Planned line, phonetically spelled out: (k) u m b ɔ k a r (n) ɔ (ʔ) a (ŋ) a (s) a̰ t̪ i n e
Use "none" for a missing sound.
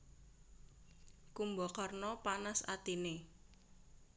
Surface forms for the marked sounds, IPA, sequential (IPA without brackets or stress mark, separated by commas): k, n, p, n, s